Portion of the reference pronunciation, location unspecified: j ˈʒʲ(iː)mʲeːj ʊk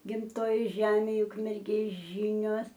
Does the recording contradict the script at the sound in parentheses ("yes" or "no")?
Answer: yes